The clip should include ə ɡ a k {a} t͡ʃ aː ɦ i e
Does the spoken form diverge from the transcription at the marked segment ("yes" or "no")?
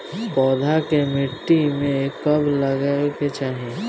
yes